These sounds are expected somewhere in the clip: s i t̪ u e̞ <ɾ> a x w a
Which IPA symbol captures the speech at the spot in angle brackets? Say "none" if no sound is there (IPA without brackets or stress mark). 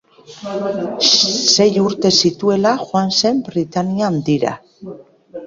l